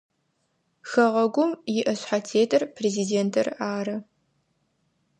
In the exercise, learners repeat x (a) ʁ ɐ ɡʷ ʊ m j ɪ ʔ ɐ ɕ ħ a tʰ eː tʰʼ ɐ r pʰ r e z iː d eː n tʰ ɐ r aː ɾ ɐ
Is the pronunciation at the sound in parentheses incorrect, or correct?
incorrect